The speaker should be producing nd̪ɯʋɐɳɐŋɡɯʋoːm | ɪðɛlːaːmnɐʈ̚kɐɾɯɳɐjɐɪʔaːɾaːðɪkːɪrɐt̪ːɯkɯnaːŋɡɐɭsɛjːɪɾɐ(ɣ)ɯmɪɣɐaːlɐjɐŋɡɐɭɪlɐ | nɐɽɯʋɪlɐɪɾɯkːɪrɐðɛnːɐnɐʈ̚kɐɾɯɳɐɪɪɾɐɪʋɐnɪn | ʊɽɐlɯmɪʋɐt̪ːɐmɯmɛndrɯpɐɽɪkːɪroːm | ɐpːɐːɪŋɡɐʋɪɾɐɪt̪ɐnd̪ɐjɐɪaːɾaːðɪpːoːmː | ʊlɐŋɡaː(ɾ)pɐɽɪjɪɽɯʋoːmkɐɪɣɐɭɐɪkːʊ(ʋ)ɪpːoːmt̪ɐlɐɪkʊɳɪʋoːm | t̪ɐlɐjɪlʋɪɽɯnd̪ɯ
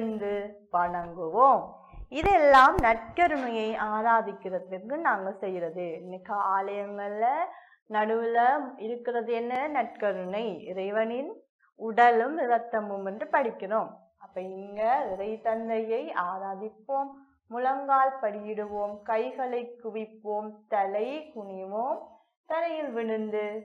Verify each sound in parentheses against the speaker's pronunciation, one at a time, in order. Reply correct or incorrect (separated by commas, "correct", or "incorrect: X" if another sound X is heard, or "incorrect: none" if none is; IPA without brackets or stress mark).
incorrect: ð, incorrect: l, correct